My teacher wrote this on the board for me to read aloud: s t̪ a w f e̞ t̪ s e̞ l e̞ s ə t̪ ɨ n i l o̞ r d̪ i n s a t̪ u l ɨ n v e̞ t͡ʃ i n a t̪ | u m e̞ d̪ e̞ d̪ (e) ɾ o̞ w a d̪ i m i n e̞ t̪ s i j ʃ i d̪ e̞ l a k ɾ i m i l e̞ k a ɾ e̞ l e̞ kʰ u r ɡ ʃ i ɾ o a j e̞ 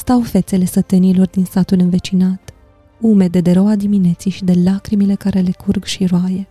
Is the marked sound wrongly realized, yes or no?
no